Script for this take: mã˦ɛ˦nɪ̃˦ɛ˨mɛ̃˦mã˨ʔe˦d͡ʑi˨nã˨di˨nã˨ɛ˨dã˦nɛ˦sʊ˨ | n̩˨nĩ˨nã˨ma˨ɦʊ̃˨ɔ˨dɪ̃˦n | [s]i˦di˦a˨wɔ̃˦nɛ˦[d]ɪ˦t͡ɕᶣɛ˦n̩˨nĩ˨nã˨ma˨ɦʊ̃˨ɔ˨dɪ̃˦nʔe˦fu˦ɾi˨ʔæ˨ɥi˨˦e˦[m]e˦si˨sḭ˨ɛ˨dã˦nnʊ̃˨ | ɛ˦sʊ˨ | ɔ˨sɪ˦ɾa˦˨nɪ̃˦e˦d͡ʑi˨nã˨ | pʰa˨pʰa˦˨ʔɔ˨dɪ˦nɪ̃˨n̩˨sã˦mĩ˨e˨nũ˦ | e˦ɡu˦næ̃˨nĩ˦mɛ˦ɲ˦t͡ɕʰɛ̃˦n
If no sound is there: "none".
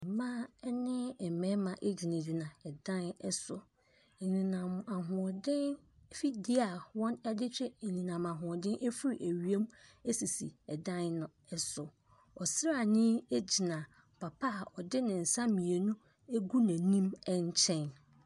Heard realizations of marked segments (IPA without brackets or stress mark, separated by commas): f, d, m